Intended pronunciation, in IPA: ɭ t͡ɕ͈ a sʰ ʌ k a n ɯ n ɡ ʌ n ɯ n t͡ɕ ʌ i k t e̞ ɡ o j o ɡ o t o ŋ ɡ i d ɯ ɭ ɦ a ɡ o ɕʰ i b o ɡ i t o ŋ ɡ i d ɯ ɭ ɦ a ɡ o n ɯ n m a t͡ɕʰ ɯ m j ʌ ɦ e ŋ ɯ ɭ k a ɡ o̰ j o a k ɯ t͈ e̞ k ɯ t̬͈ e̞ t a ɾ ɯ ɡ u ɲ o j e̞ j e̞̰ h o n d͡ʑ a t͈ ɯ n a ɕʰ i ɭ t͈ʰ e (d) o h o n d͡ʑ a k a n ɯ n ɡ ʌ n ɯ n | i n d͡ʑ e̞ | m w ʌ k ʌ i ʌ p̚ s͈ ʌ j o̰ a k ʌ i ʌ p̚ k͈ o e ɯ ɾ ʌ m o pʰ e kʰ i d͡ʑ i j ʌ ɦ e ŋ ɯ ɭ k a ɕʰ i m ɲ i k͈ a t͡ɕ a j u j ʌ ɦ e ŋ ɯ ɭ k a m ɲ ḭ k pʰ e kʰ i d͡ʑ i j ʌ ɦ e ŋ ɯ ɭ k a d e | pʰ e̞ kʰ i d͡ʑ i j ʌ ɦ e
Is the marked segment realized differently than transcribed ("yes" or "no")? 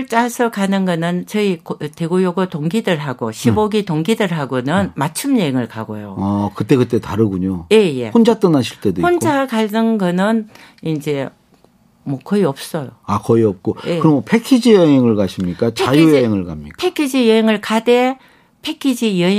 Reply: no